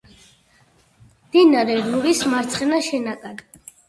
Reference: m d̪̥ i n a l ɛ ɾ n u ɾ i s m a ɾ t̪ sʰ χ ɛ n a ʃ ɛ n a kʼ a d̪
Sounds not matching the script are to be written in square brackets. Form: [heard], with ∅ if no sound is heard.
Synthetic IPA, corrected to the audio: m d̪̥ i n a [ɾ] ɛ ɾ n u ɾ i s m a ɾ t̪ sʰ χ ɛ n a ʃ ɛ n a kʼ a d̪